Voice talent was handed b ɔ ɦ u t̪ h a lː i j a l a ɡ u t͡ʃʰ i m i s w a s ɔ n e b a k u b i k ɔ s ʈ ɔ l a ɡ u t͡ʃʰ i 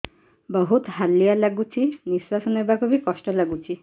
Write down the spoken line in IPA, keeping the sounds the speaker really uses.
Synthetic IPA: b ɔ ɦ u t̪ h a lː i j a l a ɡ u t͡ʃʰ i n i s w a s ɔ n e b a k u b i k ɔ s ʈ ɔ l a ɡ u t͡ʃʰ i